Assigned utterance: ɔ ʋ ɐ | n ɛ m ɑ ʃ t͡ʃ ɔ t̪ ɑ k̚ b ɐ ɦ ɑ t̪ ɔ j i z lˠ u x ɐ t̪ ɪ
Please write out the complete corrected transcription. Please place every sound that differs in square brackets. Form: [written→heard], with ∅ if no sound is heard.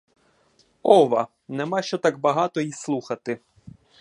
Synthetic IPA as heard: ɔ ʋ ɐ | n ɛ m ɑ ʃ t͡ʃ ɔ t̪ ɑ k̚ b ɐ ɦ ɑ t̪ ɔ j i [z→s] lˠ u x ɐ t̪ ɪ